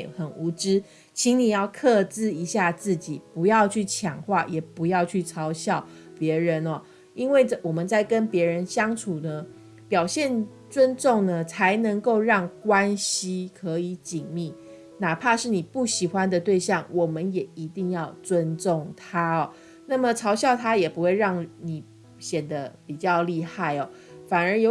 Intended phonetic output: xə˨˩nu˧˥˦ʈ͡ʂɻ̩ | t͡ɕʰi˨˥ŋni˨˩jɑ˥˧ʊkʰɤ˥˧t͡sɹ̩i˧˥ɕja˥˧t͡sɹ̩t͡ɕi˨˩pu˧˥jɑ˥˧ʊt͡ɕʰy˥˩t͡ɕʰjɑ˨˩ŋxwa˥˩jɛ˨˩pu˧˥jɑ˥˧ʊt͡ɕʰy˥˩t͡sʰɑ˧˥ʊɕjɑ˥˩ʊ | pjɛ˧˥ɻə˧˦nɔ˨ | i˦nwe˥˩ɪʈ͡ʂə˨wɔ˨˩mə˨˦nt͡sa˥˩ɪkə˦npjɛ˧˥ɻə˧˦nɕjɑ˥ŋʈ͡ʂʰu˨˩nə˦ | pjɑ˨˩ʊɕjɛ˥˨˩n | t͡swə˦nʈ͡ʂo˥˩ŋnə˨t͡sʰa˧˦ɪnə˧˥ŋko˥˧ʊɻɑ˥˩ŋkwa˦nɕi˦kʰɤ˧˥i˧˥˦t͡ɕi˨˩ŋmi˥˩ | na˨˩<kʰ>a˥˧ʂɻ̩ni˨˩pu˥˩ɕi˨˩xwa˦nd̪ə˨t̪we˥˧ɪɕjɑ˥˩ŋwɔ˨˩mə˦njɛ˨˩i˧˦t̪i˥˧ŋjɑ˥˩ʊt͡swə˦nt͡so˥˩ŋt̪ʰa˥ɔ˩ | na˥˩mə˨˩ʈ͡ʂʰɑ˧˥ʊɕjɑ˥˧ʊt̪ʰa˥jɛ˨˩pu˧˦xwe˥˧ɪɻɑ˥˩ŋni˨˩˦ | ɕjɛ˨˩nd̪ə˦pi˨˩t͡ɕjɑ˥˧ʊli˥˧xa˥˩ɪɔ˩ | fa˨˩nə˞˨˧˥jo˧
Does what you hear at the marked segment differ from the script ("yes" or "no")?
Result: yes